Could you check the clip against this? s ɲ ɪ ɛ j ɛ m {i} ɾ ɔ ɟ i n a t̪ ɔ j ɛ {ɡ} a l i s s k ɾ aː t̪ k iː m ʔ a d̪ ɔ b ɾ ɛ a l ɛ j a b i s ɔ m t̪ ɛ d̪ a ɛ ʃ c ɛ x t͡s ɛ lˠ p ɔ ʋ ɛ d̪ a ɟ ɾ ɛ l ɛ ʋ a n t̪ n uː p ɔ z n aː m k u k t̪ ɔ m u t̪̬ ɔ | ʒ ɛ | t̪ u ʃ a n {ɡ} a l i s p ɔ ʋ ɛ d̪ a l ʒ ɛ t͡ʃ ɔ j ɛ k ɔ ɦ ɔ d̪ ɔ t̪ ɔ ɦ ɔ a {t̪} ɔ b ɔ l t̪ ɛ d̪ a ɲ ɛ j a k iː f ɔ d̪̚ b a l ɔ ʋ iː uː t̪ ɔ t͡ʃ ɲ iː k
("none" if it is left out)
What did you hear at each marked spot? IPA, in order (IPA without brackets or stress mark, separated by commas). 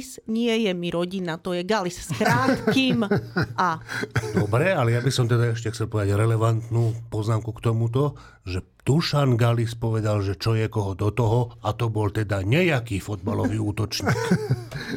i, ɡ, ɡ, t̪